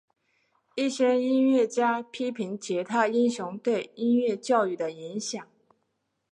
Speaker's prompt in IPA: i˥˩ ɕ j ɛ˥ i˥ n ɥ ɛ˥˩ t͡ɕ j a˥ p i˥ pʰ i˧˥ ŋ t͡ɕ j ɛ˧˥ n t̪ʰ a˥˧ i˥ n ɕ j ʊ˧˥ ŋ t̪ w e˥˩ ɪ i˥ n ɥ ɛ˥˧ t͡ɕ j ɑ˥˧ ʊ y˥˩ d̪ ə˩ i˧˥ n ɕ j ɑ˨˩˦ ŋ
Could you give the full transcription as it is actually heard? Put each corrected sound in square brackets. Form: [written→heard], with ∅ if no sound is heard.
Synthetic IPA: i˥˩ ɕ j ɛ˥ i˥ n ɥ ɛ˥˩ t͡ɕ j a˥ [p→pʰ] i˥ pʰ i˧˥ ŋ t͡ɕ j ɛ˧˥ [n→∅] t̪ʰ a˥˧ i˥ n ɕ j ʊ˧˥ ŋ t̪ w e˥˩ ɪ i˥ n ɥ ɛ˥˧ t͡ɕ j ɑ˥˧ ʊ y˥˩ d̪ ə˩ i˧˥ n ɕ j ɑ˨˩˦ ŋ